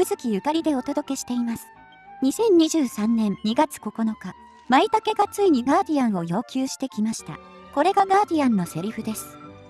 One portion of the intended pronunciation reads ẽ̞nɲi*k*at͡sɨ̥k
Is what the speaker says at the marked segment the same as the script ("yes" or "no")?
no